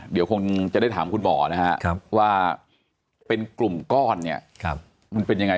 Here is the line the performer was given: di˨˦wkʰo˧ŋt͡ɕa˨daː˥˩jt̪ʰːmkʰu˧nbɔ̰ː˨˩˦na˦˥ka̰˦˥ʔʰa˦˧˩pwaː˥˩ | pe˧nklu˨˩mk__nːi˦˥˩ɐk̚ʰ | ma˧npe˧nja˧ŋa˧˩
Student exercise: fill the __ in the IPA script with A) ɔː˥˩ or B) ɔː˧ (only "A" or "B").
A